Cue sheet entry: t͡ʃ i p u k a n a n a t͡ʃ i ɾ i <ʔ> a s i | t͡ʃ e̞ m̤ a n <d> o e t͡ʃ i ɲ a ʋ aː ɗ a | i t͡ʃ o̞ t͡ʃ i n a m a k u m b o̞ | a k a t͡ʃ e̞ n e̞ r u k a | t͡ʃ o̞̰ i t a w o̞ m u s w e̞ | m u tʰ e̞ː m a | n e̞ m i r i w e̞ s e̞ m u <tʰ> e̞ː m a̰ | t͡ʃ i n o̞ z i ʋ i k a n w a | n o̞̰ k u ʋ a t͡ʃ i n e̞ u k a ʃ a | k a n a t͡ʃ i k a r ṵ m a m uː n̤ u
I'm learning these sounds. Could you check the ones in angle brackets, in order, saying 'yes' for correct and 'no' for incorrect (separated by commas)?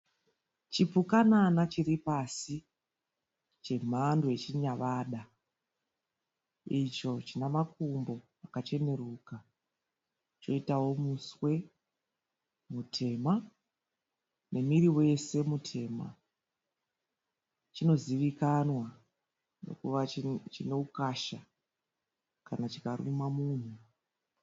no, yes, yes